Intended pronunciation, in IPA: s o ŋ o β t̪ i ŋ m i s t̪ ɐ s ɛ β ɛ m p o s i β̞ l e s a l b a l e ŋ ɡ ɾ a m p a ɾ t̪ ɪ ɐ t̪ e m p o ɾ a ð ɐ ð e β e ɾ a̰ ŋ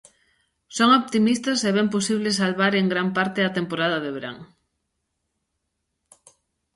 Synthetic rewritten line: s o ŋ o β t̪ i m i s t̪ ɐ s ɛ β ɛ m p o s i β̞ l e s a l β a ɾ e ŋ ɡ ɾ a m p a ɾ t̪ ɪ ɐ t̪ e m p o ɾ a ð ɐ ð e β e ɾ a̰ ŋ